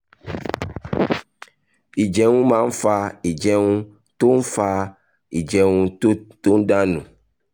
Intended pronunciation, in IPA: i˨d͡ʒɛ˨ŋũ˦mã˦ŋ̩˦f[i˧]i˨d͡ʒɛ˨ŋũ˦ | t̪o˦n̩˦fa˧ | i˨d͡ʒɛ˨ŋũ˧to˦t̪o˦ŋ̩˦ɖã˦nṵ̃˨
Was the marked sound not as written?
yes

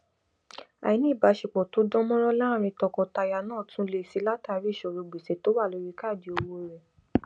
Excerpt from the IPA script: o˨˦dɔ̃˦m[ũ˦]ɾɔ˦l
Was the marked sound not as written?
yes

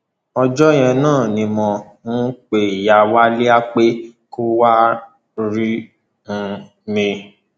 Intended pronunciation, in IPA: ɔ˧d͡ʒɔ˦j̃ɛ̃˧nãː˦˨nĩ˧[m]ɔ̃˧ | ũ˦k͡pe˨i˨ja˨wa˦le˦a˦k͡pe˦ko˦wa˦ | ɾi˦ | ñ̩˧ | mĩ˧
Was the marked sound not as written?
no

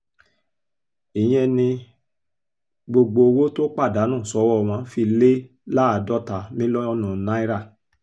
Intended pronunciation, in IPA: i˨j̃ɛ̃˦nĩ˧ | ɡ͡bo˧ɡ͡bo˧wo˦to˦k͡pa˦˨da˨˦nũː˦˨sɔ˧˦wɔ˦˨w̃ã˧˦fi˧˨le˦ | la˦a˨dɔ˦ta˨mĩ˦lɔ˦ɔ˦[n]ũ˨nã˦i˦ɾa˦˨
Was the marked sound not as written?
no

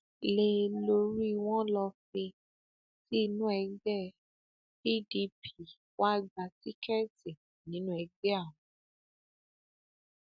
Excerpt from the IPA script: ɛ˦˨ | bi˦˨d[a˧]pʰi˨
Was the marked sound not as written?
yes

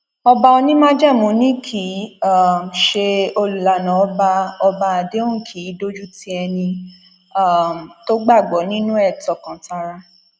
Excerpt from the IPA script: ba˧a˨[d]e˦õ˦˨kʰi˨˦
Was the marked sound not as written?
no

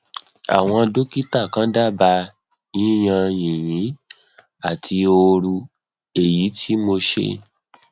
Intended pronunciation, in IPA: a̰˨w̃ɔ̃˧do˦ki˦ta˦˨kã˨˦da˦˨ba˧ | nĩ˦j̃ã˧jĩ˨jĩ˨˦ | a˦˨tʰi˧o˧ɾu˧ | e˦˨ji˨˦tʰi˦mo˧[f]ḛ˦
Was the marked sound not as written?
yes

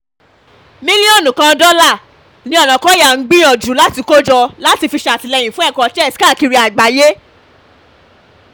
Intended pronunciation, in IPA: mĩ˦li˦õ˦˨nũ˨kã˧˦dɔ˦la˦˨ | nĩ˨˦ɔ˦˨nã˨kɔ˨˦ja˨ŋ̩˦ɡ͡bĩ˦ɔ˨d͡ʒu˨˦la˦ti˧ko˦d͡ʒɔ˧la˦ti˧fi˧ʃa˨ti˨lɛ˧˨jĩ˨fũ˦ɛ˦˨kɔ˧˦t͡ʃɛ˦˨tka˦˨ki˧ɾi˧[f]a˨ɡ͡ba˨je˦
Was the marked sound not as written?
yes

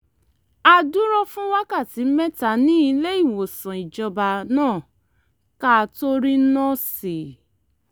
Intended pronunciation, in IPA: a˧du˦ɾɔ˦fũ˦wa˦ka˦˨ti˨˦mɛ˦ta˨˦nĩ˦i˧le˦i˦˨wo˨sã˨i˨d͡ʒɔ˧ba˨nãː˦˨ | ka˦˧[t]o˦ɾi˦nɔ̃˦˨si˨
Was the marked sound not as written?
no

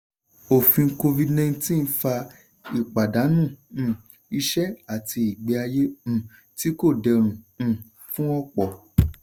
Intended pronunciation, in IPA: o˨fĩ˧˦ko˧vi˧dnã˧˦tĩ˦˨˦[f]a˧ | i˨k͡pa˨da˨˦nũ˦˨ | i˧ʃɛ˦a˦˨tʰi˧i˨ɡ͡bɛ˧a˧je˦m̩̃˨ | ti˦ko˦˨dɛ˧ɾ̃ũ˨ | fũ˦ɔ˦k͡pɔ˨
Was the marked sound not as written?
no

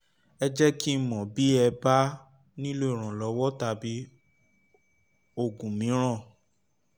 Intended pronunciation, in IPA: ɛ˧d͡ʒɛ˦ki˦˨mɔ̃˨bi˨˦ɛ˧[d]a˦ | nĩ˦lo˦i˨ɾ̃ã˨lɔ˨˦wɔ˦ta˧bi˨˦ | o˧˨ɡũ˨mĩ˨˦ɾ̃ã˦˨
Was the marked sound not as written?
yes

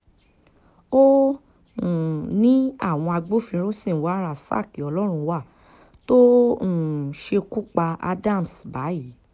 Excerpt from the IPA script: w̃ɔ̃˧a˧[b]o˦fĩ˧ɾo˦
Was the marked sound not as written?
yes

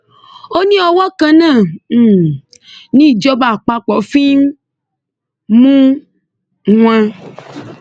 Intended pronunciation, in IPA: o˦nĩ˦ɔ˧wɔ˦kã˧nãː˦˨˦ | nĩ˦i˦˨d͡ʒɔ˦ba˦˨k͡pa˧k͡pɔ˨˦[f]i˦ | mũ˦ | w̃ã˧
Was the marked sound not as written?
no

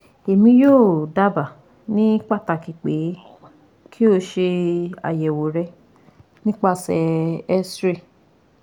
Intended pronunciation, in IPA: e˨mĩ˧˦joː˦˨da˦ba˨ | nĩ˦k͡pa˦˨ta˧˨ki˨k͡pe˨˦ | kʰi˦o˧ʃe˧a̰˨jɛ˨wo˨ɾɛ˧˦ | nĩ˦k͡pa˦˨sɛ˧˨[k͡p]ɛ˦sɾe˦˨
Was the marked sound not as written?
yes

